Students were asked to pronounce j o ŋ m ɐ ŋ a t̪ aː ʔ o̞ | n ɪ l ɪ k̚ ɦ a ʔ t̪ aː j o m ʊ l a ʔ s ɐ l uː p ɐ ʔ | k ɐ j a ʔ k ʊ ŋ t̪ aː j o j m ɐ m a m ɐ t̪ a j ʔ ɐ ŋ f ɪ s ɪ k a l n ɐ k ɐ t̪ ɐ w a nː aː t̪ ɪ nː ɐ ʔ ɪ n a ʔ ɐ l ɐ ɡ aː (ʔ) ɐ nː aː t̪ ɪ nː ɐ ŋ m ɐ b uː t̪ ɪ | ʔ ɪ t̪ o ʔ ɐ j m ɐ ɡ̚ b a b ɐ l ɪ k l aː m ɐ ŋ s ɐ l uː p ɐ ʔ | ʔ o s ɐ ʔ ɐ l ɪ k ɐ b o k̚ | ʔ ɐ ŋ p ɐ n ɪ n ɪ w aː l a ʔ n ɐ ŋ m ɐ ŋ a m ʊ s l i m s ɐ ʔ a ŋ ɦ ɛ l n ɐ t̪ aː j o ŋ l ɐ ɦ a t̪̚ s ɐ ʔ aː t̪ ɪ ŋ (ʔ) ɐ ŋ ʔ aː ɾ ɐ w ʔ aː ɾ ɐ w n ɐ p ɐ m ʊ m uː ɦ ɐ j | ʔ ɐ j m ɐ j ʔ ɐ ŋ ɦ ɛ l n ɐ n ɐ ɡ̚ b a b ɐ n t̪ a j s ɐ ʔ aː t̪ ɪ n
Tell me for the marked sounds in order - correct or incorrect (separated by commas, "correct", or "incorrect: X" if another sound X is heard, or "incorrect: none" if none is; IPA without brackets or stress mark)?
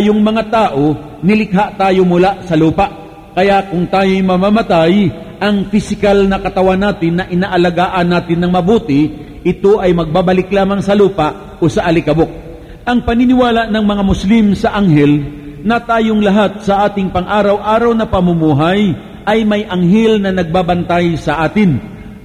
correct, incorrect: p